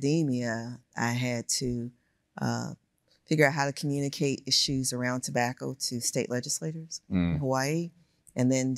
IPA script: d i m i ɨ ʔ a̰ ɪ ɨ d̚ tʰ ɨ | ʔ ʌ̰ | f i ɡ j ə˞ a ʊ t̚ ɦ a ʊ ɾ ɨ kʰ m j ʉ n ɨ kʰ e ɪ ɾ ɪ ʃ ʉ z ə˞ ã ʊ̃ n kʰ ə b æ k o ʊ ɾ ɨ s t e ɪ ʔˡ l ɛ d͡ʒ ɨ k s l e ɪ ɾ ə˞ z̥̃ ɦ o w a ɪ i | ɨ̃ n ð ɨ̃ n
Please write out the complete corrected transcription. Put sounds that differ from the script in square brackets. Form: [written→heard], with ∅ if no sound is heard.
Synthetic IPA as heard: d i m i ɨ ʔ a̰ ɪ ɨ d̚ tʰ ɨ | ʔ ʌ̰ | f [i→ɪ] ɡ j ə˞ a ʊ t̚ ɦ a ʊ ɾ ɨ kʰ m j ʉ n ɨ kʰ e ɪ ɾ ɪ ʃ ʉ z ə˞ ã ʊ̃ n [kʰ→tʰ] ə b æ k o ʊ ɾ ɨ s t e ɪ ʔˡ l ɛ d͡ʒ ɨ [k→∅] s l e ɪ ɾ ə˞ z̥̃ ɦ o w a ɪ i | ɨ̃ n ð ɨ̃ n